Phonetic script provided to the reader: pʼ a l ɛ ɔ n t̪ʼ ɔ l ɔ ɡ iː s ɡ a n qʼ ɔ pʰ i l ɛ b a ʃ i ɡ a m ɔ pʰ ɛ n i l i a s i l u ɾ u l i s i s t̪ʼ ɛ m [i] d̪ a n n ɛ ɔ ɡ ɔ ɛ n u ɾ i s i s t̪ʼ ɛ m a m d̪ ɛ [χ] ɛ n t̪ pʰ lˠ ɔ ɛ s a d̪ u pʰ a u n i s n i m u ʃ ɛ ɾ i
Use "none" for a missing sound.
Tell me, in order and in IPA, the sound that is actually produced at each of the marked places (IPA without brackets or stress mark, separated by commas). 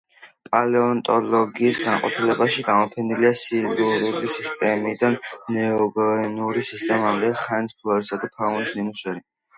i, χ